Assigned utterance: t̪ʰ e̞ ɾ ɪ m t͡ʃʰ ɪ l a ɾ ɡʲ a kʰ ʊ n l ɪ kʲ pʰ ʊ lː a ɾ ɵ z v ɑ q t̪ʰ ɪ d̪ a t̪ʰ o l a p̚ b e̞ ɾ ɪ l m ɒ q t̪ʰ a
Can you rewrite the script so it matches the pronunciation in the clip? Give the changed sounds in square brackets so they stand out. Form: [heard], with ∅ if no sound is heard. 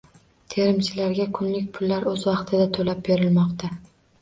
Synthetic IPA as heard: t̪ʰ e̞ ɾ ɪ m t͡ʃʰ ɪ l a ɾ ɡʲ a kʰ ʊ n l ɪ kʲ pʰ ʊ lː a ɾ ɵ z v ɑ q t̪ʰ ɪ d̪ a t̪ʰ o l a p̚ b e̞ ɾ ɪ l m ɒ q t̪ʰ a